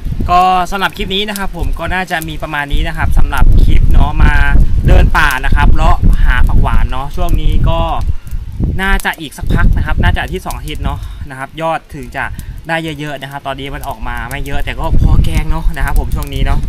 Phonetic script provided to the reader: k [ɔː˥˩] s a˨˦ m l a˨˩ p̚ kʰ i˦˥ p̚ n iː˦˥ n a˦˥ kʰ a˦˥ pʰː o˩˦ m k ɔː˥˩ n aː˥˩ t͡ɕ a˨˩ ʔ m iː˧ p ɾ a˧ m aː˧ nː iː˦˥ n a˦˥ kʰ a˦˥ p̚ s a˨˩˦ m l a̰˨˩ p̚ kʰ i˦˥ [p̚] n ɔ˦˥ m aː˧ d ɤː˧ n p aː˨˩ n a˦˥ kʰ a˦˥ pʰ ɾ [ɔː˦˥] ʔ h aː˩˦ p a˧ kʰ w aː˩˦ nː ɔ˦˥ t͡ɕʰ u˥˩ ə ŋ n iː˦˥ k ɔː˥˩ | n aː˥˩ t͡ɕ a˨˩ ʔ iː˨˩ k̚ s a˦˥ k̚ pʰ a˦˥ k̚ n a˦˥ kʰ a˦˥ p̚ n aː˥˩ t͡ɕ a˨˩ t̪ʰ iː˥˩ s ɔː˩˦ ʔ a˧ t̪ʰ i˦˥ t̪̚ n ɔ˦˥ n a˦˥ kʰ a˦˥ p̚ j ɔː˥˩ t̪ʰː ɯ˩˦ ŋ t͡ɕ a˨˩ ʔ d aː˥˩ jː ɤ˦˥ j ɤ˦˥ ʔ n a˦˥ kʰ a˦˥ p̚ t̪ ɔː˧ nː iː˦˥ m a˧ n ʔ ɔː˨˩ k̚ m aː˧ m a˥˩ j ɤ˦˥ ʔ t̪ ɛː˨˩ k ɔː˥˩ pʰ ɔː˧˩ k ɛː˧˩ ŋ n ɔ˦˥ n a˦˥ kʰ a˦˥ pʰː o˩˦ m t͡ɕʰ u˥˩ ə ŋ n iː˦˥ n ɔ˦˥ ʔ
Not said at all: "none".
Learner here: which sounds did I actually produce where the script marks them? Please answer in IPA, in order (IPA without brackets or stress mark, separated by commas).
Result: ɔː˥˩, p̚, ɔ˦˥